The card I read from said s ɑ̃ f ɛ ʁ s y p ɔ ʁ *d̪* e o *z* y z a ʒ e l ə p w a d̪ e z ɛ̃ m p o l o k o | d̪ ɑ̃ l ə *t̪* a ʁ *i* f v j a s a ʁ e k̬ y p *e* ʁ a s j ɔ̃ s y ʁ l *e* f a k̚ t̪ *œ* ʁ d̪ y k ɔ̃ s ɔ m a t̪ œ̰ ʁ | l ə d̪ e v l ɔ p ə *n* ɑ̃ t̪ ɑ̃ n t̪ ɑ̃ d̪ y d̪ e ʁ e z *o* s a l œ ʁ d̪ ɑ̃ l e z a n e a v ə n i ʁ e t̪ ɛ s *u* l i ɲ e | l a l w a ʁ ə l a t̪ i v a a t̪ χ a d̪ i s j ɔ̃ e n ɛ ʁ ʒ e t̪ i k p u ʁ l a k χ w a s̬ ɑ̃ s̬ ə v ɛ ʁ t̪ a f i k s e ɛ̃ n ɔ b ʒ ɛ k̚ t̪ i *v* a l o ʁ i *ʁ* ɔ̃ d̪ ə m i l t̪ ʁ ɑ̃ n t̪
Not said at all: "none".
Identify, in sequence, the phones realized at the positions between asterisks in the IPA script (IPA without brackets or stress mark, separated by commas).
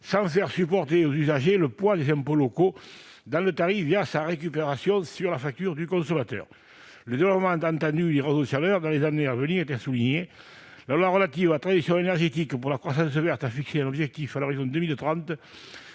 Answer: t̪, z, t̪, i, e, a, y, m, o, u, f, z